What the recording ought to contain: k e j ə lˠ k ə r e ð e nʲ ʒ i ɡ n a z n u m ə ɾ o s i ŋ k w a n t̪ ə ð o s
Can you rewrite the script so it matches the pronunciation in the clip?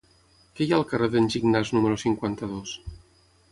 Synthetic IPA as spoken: k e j a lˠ k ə r e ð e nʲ ʒ i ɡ n a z n u m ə ɾ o s i ŋ k w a n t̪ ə ð o s

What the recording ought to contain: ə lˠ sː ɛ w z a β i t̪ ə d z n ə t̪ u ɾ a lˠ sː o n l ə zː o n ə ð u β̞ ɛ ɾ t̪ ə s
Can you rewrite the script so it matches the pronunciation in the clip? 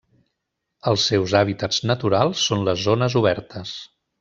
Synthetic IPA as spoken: ə lˠ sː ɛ w z a β i t̪ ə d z n ə t̪ u ɾ a lˠ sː o n l ə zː o n ə z u β̞ ɛ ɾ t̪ ə s

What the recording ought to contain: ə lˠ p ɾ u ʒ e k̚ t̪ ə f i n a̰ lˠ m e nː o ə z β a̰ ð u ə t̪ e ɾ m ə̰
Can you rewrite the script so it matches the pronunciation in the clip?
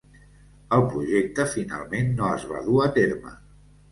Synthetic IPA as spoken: ə lˠ p ɾ u ʒ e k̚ t̪ ə f i n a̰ lˠ m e nː o ə z β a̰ ð u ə t̪ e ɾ m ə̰

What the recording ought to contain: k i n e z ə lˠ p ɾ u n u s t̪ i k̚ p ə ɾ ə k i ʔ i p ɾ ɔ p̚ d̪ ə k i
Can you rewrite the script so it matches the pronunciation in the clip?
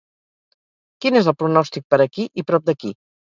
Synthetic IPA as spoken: k i n e z ə lˠ p ɾ u n ɔ s t̪ i k̚ p ə ɾ ə k i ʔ i p ɾ ɔ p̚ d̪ ə k i

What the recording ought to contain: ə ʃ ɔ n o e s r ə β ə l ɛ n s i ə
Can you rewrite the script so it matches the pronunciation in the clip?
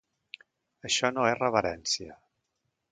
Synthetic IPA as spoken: ə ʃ ɔ n o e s r ə β ə ɾ ɛ n s i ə

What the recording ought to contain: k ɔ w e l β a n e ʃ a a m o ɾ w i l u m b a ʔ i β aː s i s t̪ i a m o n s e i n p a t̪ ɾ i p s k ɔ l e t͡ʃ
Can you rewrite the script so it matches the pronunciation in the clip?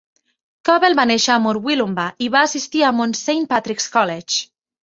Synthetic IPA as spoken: k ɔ β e l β a n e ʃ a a m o ɾ w i l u m b a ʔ i β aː s i s t̪ i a m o n s e j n p a t̪ ɾ i k s k ɔ l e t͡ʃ

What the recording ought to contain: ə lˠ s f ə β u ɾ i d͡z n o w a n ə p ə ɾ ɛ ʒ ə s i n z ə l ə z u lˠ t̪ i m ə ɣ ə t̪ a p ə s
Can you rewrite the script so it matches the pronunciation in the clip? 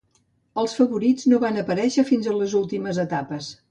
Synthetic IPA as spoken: ə lˠ s f ə β u ɾ i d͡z n o β a n ə p ə ɾ ɛ ʃ ə f i n z ə l ə z u lˠ t̪ i m ə z ə t̪ a p ə s

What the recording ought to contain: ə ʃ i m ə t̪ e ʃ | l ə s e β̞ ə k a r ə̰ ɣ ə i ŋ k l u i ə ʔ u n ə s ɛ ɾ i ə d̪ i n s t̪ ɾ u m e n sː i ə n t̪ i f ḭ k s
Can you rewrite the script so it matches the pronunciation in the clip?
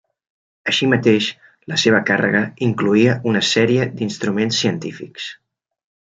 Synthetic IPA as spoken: ə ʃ i m ə t̪ e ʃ | l ə s e β̞ ə k a r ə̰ ɣ ə i ŋ k l u i ə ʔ u n ə s ɛ ɾ i ə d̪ i n s t̪ ɾ u m e n sː i ə n t̪ i f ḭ k s

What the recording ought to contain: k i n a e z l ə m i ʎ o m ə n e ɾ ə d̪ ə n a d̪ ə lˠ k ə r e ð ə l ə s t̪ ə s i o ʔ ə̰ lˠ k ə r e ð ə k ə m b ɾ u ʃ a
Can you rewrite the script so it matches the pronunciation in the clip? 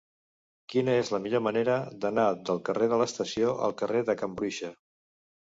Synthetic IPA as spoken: k i n ə e z l ə m i ʎ o m ə n e ɾ ə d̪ ə n a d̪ ə lˠ k ə r e ð ə l ə s t̪ ə s i o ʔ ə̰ lˠ k ə r e ð ə k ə m b ɾ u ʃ ə

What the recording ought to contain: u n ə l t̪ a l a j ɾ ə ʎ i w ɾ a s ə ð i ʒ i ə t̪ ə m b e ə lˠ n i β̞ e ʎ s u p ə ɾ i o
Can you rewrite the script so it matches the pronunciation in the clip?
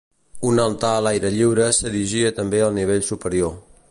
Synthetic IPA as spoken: u n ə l t̪ a l a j ɾ ə ʎ i w ɾ ə s ə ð i ʒ i ə t̪ ə m b e ə lˠ n i β̞ e ʎ s u p ə ɾ i o

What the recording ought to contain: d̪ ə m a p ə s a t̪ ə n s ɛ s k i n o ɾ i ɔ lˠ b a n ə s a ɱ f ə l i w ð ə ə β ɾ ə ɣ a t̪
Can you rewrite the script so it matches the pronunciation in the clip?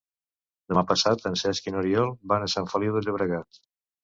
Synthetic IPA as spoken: d̪ ə m a p ə s a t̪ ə n s ɛ s k i n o ɾ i ɔ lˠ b a n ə s a ɱ f ə l i w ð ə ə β ɾ ə ɣ a t̪

